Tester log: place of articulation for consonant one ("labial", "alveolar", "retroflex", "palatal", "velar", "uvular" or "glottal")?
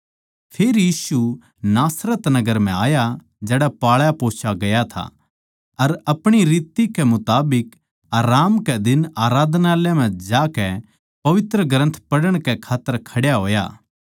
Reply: labial